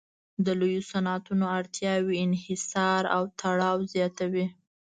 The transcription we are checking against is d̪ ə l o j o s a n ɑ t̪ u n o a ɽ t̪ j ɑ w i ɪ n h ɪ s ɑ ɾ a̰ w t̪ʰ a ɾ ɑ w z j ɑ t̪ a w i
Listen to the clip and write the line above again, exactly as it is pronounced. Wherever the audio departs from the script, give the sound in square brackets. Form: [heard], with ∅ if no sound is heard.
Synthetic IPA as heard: d̪ ə l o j o s a n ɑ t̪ u n o a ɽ t̪ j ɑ w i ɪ n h ɪ s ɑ ɾ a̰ w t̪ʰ a [ɽ] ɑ w z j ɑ t̪ a w i